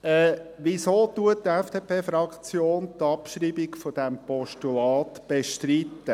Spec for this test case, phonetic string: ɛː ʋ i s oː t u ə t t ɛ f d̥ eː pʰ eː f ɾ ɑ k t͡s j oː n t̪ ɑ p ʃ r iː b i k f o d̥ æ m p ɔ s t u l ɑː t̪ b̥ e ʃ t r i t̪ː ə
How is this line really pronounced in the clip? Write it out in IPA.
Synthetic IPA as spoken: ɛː ʋ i s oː t u ə t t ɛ f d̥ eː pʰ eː f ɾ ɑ k t͡s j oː n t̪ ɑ p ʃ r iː b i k f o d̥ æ m p ɔ ʃ t u l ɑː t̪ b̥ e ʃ t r i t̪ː ə